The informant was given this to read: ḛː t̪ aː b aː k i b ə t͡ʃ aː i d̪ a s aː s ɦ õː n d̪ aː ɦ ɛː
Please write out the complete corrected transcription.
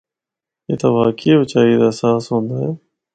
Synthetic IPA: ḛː t̪ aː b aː k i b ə t͡ʃ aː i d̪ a s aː s ɦ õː n d̪ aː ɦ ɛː